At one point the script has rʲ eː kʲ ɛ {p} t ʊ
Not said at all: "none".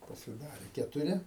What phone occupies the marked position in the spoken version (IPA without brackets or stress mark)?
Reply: none